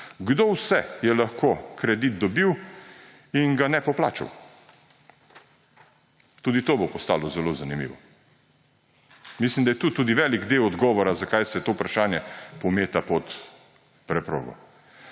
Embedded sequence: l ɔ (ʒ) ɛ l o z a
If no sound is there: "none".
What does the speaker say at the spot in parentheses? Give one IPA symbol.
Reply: z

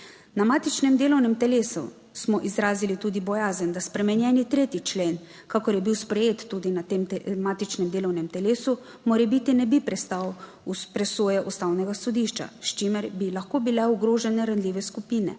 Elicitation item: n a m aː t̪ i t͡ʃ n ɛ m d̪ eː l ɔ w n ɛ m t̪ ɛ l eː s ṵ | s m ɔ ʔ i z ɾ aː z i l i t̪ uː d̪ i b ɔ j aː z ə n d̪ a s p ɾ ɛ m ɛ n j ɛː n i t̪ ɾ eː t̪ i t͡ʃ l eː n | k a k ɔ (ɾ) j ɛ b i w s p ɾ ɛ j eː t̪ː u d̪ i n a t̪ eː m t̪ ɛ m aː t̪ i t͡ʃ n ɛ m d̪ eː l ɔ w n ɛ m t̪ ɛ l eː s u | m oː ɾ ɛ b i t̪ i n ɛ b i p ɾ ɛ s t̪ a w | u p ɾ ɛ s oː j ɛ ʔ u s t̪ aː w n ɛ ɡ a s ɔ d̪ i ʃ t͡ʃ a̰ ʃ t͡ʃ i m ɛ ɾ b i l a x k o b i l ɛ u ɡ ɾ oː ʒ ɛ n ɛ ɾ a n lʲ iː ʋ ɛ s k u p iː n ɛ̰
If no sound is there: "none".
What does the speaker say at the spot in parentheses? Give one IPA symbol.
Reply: ɾ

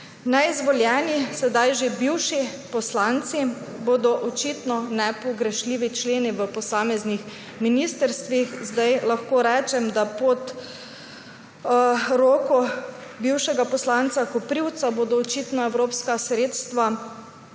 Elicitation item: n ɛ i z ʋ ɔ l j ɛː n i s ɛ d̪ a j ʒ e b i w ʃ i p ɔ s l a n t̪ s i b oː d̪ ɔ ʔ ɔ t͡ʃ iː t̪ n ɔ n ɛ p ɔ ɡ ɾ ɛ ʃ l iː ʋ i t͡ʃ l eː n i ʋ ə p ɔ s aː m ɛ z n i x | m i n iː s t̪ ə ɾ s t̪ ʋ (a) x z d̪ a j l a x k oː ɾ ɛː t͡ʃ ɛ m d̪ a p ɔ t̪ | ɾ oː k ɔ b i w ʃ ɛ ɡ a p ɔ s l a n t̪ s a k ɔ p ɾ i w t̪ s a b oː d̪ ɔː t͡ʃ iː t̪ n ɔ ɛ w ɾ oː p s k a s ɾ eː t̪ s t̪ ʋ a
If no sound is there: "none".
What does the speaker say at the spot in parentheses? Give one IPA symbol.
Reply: i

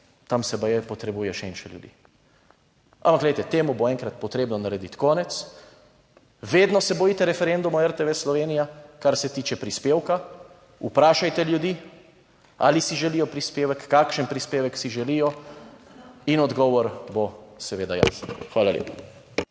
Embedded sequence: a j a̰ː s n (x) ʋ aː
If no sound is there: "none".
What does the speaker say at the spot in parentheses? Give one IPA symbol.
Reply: x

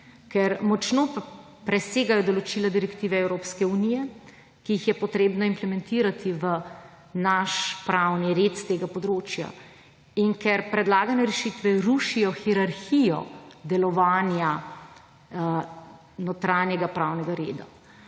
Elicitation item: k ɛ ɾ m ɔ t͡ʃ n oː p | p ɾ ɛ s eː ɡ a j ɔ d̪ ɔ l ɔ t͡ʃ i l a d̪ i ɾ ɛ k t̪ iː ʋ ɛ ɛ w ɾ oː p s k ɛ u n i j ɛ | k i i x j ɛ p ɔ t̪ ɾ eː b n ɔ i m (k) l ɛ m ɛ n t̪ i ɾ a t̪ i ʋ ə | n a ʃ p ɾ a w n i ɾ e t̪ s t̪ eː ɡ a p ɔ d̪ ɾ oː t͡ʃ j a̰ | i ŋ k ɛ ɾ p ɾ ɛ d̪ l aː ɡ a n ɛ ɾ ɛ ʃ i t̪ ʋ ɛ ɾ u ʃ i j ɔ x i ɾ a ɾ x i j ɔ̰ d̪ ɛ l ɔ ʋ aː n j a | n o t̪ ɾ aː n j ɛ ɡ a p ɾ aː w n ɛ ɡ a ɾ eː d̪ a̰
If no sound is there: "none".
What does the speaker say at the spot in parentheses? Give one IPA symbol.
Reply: p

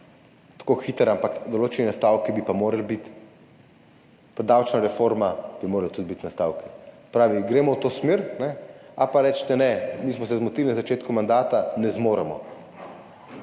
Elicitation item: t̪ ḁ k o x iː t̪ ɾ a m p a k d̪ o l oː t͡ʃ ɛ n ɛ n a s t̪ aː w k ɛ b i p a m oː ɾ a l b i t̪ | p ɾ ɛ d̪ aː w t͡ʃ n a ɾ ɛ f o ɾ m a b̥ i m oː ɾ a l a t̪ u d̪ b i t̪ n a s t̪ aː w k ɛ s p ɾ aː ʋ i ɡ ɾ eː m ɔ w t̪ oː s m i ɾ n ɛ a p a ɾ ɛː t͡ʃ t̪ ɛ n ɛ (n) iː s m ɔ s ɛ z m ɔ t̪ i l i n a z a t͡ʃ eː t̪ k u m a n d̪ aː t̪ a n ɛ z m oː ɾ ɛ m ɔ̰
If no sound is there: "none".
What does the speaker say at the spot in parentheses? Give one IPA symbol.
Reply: m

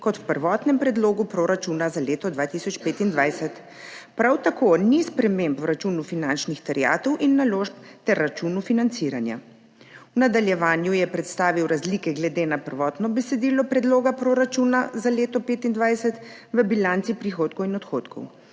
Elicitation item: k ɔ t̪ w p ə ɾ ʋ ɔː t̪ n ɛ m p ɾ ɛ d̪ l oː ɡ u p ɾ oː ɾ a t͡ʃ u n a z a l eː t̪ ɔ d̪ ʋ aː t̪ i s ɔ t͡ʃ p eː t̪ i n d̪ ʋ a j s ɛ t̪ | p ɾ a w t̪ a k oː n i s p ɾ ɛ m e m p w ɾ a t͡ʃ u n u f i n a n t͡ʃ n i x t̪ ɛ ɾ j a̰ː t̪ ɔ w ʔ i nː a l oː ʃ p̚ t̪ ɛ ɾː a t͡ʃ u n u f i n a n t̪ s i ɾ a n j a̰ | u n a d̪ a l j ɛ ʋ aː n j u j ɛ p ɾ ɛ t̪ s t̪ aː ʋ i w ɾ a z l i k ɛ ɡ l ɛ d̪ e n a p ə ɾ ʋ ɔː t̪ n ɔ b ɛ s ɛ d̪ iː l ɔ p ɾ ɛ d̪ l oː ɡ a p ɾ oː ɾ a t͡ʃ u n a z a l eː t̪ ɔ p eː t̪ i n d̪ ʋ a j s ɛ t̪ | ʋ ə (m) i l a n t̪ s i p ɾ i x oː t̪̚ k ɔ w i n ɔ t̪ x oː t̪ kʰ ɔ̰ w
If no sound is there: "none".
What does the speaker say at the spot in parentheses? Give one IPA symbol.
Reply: b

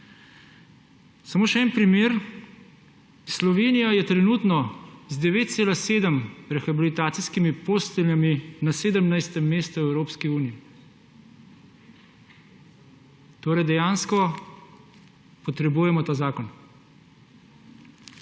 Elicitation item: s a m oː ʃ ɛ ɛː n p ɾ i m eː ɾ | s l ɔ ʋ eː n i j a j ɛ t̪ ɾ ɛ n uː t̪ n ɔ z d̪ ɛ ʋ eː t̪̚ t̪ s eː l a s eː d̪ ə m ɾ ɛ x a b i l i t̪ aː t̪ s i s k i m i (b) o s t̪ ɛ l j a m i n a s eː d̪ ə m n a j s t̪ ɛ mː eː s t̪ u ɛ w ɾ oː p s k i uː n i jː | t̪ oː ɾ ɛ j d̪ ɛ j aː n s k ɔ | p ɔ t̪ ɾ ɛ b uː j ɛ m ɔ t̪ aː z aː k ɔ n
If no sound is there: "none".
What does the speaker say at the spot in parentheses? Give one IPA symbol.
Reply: p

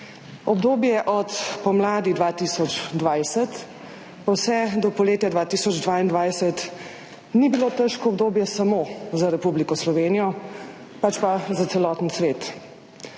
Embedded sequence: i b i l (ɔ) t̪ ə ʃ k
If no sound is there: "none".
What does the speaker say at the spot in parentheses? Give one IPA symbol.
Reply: o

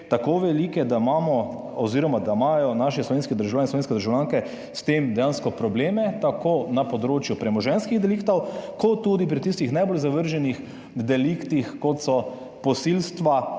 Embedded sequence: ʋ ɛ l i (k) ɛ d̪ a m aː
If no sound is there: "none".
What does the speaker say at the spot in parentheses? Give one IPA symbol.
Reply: k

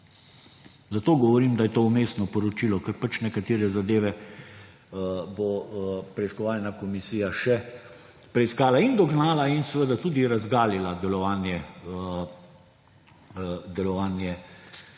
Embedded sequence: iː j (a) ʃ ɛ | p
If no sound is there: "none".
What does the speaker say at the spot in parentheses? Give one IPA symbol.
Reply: a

